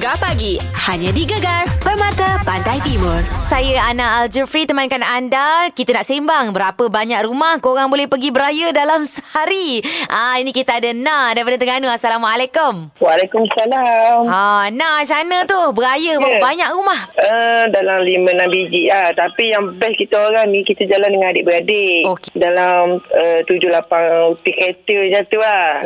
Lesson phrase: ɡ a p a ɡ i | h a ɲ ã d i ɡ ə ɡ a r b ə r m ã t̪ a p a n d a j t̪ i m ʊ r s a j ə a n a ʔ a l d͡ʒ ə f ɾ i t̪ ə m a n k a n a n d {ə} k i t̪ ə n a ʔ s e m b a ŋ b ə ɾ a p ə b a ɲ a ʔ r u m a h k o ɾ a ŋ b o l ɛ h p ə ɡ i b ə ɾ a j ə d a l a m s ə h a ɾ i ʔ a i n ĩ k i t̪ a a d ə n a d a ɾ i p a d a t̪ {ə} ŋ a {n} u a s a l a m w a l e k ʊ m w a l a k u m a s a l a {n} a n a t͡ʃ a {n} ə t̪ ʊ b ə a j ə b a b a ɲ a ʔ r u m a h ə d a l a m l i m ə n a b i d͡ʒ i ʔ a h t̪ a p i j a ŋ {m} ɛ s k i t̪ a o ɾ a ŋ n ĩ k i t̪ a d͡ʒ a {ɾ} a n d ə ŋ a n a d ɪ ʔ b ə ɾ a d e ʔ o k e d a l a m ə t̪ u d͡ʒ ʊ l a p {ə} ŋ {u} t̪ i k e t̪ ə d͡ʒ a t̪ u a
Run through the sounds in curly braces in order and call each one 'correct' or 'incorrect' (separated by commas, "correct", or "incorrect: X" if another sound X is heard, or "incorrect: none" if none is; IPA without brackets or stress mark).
incorrect: a, correct, correct, incorrect: m, correct, incorrect: b, incorrect: l, incorrect: a, correct